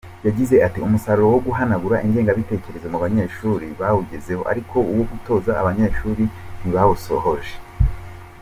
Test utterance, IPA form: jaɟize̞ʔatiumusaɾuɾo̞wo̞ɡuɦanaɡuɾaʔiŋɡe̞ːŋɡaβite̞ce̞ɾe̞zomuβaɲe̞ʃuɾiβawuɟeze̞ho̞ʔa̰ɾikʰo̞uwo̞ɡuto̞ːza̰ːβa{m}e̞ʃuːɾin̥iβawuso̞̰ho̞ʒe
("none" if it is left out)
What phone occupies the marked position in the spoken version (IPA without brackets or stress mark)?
ɲ